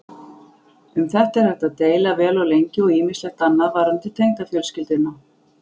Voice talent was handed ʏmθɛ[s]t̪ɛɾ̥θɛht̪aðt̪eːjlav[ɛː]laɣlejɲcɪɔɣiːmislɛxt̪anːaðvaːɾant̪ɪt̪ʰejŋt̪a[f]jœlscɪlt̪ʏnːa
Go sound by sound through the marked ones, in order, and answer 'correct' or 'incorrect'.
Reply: incorrect, correct, correct

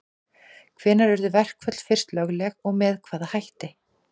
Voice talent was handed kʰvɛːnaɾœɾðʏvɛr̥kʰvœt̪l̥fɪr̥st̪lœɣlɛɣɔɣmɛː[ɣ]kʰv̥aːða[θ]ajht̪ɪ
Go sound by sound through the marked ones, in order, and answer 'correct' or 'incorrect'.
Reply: incorrect, incorrect

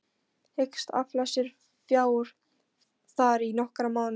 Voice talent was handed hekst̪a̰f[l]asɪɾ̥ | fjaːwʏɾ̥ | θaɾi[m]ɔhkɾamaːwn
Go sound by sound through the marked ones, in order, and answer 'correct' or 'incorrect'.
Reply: correct, incorrect

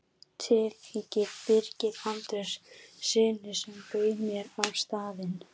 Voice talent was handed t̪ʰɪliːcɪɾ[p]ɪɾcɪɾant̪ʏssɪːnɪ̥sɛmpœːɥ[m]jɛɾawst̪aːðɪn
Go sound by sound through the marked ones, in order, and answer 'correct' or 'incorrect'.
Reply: correct, correct

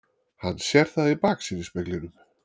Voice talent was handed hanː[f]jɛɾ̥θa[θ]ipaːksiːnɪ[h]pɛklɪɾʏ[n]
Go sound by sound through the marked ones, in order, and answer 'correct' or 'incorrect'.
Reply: incorrect, incorrect, incorrect, incorrect

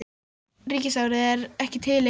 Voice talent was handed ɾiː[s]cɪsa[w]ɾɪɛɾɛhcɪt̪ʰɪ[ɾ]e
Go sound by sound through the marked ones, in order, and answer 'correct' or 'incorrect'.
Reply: incorrect, correct, incorrect

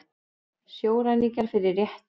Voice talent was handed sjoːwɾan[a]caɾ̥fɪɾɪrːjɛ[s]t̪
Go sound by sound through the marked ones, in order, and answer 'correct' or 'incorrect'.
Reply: incorrect, incorrect

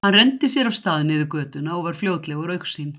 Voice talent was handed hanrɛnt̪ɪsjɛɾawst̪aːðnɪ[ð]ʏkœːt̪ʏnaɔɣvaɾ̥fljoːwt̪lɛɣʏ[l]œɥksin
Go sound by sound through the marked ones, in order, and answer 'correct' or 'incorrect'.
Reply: correct, incorrect

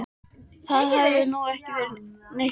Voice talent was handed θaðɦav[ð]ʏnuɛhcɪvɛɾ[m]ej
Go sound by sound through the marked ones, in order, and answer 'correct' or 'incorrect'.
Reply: correct, incorrect

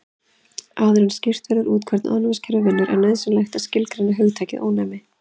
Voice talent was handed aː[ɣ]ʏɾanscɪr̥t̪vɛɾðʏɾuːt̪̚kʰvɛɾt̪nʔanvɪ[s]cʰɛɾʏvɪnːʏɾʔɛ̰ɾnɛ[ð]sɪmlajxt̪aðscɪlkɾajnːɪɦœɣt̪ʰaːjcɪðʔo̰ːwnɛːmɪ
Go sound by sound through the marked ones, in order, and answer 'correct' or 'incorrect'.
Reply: incorrect, correct, correct

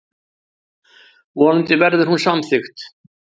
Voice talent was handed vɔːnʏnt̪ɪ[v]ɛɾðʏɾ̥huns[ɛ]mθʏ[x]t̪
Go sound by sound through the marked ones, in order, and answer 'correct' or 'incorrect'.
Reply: correct, incorrect, correct

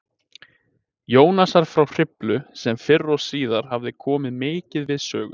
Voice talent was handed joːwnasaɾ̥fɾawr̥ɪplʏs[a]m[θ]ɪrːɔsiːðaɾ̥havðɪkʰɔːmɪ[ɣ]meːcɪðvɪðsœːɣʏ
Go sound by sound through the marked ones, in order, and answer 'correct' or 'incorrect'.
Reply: incorrect, incorrect, incorrect

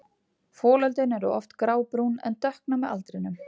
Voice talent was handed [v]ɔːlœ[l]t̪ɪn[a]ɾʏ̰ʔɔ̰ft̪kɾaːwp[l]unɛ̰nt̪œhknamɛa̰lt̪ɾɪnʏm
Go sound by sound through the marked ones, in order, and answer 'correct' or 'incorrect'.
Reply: incorrect, correct, incorrect, incorrect

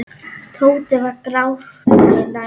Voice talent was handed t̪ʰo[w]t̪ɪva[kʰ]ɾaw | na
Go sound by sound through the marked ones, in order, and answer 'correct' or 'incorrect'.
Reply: correct, incorrect

